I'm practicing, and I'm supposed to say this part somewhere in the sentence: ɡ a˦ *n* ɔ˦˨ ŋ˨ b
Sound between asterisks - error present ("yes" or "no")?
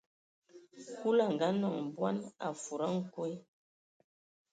no